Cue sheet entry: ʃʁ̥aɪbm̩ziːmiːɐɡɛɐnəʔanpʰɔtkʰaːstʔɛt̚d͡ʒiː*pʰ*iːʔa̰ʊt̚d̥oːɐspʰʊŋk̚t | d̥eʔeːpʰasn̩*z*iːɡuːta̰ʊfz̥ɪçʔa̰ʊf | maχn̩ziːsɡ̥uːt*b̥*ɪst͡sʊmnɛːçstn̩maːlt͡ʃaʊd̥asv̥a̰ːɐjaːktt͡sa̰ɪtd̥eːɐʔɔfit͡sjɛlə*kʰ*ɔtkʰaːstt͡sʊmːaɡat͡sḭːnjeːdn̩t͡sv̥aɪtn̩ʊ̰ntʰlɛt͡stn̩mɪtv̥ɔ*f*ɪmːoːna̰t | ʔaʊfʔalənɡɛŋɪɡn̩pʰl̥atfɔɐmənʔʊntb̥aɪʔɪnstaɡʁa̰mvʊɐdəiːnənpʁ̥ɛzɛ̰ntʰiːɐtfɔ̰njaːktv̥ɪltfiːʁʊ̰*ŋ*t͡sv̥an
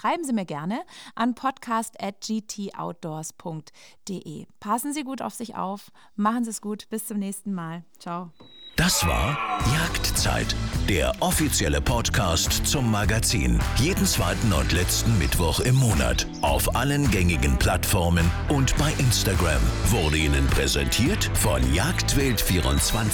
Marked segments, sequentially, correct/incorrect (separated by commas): incorrect, correct, correct, incorrect, incorrect, incorrect